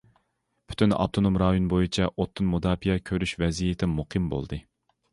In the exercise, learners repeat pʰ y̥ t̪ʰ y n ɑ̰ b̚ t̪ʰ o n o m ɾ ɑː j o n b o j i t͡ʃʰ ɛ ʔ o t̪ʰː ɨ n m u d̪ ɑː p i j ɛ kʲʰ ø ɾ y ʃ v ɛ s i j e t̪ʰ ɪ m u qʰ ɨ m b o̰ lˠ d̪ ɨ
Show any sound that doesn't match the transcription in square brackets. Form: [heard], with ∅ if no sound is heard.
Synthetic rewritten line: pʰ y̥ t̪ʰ y n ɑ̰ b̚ t̪ʰ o n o m ɾ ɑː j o n b o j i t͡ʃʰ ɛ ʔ o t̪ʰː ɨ n m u d̪ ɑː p i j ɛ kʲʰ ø ɾ y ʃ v ɛ [z] i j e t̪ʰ ɪ m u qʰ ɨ m b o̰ lˠ d̪ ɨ